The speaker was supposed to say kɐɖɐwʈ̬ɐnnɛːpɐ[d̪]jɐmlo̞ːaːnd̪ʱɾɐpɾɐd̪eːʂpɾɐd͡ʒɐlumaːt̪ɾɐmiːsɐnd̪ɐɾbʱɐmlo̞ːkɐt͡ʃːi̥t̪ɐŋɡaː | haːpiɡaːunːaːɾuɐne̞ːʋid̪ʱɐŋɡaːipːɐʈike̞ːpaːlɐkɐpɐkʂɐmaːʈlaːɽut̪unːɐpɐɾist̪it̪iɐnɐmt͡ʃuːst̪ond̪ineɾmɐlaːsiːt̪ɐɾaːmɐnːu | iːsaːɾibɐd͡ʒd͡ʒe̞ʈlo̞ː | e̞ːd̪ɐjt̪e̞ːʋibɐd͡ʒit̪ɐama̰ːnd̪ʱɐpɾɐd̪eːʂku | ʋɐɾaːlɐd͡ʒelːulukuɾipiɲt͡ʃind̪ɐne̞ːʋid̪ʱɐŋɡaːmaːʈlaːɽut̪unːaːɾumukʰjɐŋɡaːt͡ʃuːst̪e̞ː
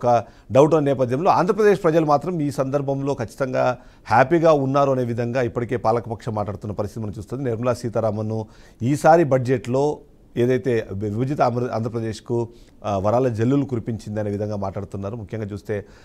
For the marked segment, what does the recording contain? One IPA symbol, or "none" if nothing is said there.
d̪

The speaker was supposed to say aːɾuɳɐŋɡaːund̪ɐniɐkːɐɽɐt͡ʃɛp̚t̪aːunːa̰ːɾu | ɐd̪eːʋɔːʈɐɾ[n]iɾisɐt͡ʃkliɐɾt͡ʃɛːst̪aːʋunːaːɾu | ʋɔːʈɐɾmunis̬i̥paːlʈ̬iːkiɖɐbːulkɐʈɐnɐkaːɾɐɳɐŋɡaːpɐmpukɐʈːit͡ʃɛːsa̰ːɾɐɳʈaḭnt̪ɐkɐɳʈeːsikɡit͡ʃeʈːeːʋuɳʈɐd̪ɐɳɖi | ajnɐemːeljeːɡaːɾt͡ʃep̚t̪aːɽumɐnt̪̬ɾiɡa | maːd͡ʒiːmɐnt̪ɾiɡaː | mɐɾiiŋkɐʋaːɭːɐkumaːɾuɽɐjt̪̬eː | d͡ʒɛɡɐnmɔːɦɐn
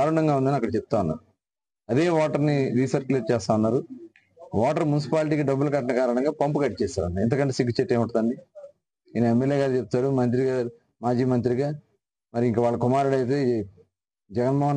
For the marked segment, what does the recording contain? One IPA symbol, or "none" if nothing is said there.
n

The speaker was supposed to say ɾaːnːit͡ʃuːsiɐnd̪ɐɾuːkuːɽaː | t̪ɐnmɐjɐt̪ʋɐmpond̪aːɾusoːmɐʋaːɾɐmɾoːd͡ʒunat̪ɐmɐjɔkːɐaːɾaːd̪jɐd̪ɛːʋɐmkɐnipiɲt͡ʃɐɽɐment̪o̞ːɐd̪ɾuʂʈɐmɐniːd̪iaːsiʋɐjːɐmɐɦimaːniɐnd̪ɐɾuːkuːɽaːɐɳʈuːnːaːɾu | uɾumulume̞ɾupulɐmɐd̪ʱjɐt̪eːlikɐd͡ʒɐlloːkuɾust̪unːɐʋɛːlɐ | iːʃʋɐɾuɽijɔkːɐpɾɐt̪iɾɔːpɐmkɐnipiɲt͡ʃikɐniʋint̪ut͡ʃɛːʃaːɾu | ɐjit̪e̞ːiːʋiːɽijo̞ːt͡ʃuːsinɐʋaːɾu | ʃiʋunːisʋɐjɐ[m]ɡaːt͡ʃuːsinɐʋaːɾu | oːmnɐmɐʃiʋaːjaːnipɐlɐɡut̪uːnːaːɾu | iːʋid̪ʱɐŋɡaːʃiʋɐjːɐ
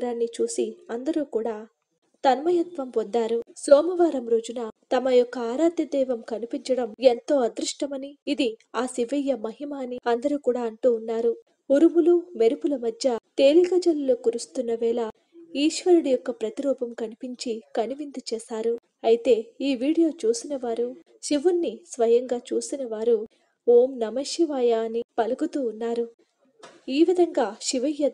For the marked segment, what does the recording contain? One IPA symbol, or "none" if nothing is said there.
ŋ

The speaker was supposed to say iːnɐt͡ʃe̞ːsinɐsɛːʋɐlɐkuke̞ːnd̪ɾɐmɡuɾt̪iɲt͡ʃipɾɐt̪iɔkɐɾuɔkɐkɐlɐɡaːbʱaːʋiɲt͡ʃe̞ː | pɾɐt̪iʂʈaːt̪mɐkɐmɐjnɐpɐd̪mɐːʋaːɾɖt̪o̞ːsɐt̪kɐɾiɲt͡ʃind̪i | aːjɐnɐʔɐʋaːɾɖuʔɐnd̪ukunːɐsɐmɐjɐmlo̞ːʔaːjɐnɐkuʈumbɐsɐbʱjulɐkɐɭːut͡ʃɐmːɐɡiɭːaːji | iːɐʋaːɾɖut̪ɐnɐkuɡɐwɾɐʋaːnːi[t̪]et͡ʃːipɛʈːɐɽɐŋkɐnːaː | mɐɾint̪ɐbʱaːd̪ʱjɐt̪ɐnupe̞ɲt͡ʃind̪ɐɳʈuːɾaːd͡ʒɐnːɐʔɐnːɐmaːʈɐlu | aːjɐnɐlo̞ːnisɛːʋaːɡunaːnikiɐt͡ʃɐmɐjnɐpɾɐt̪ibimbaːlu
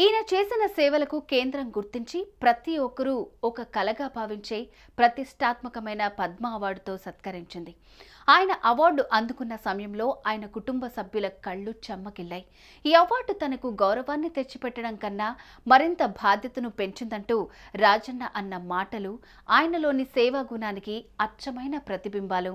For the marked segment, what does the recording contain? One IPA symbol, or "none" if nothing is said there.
t̪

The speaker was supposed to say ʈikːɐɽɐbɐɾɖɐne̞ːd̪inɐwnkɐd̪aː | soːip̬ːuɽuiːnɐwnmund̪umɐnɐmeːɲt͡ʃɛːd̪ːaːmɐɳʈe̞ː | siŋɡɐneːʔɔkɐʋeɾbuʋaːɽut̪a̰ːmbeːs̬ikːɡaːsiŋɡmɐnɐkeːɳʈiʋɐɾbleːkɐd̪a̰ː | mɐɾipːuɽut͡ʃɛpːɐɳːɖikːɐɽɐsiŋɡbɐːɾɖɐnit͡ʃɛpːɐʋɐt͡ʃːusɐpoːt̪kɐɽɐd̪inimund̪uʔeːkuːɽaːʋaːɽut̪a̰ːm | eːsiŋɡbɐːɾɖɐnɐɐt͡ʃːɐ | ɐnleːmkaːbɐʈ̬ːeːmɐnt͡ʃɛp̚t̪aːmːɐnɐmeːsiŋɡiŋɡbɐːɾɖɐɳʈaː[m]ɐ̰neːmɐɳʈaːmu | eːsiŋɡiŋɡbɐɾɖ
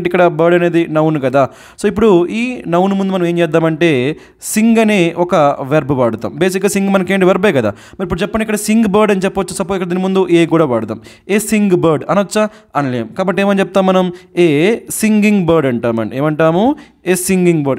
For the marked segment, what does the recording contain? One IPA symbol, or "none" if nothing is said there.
m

